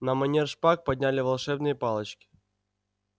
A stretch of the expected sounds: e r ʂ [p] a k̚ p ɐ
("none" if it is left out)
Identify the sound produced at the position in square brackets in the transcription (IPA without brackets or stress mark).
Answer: p